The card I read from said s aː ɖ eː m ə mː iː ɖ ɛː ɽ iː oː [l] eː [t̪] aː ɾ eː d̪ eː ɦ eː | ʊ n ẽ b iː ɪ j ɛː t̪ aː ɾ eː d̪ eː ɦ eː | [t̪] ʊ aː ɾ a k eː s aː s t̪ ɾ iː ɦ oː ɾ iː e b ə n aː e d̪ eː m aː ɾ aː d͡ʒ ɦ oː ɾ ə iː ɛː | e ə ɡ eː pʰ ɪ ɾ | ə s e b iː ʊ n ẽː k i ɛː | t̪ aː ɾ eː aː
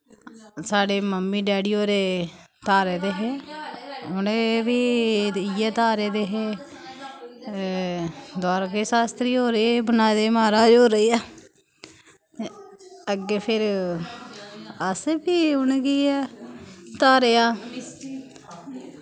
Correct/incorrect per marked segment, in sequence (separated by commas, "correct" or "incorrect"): incorrect, correct, incorrect